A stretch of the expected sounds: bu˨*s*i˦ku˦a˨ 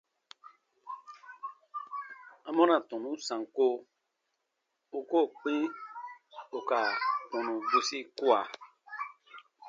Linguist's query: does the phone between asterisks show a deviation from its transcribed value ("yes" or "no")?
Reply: no